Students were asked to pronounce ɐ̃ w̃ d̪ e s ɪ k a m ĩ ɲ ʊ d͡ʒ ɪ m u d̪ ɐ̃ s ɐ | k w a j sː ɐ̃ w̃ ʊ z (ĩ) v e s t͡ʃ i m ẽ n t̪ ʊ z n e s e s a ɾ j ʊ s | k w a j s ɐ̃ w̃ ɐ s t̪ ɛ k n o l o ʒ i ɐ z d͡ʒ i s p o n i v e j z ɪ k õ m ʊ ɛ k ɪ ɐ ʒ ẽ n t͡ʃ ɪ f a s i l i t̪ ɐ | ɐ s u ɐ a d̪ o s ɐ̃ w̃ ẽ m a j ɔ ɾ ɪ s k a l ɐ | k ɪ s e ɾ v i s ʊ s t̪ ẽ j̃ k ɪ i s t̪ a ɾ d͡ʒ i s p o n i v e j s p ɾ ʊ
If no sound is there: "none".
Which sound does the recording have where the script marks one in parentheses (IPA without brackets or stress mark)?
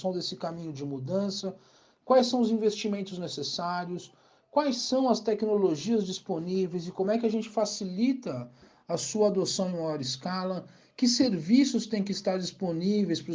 ĩ